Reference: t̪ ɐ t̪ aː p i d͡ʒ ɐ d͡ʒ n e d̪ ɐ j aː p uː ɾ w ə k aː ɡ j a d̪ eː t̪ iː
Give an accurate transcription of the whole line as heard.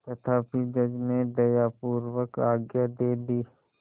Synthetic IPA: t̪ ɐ t̪ʰ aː p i d͡ʒ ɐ d͡ʒ n e d̪ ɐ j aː p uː ɾ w ə k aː ɡ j a d̪ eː d̪ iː